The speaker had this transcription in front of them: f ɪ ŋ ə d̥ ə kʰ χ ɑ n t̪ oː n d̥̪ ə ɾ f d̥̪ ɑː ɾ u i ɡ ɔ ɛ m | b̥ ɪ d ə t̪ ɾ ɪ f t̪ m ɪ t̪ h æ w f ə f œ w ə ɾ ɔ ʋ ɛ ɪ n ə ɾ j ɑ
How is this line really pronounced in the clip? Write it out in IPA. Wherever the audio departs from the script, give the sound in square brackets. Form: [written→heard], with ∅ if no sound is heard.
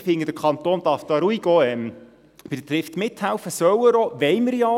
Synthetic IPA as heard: f ɪ ŋ ə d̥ ə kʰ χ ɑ n t̪ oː n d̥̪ [ə→ɑ] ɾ f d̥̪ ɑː ɾ u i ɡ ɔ ɛ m | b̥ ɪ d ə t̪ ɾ ɪ f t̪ m ɪ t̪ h æ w f ə [f→s] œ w ə ɾ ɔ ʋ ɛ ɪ [n→m] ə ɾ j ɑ